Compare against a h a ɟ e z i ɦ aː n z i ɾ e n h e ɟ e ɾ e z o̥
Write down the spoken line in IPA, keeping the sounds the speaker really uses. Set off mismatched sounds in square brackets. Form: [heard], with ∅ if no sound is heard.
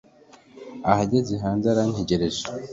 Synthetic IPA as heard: a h a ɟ e z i ɦ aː n z [a] ɾ [a] n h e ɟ e ɾ e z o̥